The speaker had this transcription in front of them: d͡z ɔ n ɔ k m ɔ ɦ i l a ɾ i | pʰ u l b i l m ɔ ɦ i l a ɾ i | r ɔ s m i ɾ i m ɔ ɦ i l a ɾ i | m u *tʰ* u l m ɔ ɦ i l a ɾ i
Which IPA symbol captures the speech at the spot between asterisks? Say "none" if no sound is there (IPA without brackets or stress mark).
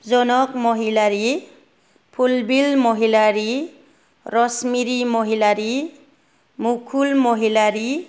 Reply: kʰ